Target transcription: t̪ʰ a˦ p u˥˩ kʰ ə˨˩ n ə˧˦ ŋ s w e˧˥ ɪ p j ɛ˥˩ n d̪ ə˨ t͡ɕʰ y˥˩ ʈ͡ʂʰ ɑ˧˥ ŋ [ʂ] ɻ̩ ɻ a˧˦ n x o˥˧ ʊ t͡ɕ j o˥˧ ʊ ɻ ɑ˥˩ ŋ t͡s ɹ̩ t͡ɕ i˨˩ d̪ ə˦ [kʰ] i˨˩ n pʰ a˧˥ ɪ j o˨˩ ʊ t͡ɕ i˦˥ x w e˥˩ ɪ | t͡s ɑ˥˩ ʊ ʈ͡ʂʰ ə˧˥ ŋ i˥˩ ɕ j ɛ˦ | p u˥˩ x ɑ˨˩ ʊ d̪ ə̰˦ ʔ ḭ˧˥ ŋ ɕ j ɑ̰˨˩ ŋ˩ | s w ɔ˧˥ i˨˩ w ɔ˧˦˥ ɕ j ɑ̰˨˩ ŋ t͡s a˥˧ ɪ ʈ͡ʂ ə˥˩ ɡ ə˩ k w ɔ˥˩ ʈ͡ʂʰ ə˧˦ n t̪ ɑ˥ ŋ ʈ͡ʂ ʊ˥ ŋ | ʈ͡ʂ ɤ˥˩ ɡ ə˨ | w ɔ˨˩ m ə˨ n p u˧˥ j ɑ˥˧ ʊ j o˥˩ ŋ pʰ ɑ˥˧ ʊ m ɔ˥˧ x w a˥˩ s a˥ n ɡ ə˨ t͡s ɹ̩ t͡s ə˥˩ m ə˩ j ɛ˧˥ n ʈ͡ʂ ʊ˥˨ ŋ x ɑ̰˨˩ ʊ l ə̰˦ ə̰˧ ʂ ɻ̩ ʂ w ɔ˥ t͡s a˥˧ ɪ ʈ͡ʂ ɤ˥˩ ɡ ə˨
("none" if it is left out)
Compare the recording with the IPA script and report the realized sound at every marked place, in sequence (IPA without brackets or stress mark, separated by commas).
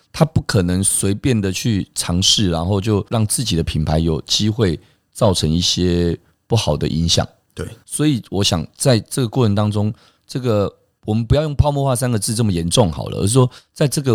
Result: ʂ, pʰ